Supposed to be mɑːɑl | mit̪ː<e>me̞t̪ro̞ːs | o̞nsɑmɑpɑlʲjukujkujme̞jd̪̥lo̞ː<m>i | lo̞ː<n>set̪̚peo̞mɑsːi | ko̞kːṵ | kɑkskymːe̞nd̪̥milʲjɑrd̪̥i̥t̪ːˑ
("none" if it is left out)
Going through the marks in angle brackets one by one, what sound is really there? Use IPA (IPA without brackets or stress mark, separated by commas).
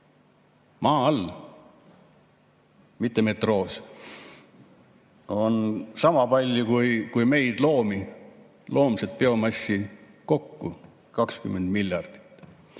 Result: e, m, m